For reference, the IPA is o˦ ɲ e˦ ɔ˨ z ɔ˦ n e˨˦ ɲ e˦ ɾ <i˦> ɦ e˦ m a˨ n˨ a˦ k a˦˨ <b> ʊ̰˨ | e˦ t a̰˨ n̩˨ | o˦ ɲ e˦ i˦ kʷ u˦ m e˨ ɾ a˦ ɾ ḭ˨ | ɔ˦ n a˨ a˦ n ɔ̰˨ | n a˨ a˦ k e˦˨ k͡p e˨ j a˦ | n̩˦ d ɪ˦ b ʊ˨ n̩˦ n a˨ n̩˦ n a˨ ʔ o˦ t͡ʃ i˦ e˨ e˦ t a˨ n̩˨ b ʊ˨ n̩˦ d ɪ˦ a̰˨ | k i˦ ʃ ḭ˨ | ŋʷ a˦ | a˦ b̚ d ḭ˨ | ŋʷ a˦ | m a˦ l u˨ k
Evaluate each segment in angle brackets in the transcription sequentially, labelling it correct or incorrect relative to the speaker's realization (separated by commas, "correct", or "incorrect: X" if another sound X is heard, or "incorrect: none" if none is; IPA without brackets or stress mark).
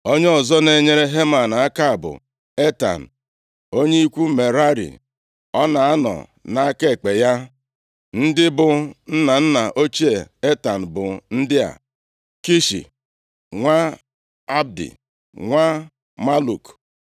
incorrect: e˦, correct